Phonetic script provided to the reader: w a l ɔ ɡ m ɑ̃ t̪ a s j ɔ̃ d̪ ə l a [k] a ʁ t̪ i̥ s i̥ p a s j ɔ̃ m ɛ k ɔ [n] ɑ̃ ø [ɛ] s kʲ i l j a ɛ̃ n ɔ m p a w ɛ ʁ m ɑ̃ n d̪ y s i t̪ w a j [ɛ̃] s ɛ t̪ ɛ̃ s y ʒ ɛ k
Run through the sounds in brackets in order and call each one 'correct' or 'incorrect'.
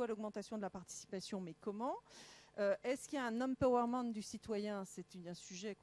incorrect: p, incorrect: m, correct, correct

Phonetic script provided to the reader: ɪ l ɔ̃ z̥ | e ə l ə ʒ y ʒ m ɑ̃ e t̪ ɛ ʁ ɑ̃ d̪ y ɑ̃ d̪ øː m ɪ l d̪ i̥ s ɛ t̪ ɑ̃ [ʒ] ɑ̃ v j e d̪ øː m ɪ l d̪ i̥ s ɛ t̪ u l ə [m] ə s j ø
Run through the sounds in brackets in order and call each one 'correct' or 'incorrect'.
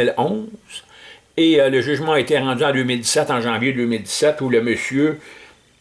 correct, correct

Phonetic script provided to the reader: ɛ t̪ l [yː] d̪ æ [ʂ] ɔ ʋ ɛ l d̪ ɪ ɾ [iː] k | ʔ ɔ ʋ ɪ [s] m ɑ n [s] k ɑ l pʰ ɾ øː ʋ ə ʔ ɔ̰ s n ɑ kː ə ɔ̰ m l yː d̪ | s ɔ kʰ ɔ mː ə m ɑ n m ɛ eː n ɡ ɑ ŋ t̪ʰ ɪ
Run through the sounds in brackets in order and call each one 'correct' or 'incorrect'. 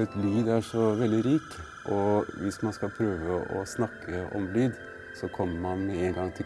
correct, correct, correct, correct, correct

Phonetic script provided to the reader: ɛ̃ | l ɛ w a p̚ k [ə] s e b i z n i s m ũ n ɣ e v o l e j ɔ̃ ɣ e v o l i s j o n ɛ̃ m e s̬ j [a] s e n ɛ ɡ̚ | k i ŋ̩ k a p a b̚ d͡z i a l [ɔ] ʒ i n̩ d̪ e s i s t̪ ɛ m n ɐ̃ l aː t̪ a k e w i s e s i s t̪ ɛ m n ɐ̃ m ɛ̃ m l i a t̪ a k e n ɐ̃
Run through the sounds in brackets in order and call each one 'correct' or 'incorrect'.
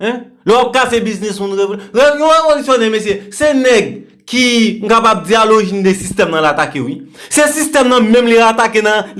incorrect: a, incorrect: e, incorrect: o

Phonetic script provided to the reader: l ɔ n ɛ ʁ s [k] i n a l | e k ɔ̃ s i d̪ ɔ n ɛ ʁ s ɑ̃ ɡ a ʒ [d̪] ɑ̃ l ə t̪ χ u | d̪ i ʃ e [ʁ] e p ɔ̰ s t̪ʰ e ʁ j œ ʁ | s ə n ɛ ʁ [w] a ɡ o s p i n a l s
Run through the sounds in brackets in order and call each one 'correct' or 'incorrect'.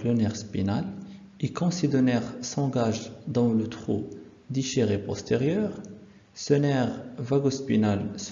incorrect: p, correct, correct, incorrect: v

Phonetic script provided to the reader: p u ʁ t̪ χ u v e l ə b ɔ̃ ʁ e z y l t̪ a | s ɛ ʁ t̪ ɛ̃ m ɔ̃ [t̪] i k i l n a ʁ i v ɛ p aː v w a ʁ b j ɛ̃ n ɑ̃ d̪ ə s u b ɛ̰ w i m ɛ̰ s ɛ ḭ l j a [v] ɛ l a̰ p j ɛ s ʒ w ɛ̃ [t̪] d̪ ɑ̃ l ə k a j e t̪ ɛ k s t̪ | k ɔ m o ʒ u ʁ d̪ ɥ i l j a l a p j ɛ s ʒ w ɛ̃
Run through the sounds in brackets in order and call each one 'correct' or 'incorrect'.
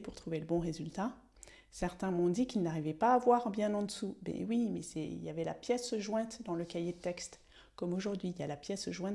incorrect: d̪, correct, correct

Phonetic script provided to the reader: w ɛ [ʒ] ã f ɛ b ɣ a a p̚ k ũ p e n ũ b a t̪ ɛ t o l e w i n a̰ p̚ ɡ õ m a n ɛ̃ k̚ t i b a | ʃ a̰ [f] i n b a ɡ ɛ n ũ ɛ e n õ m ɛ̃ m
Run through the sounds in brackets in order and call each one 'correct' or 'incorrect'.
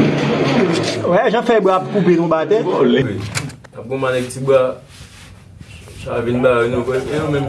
correct, incorrect: v

